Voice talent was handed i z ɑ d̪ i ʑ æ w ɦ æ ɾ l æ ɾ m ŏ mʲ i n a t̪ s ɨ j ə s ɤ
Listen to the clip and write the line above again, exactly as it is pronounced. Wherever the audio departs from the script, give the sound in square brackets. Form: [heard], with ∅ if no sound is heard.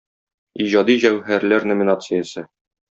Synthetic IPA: i [ʑ] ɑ d̪ i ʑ æ w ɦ æ ɾ l æ ɾ [n] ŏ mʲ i n a t̪ s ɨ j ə s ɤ